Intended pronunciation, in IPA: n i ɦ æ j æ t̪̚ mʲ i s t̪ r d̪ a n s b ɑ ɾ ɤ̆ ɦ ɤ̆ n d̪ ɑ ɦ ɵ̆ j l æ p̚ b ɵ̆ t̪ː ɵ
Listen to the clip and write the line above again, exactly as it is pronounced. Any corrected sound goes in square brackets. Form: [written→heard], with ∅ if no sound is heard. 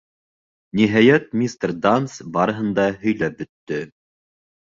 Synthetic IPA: n i ɦ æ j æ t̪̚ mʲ i s t̪ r d̪ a n s b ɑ ɾ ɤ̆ ɦ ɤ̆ n d̪ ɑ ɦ ɵ̆ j l æ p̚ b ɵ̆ t̪ː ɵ